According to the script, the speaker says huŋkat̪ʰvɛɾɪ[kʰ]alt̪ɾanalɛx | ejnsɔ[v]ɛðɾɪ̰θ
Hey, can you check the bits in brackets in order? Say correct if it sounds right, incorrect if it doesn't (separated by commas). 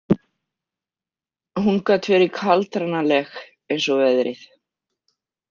correct, correct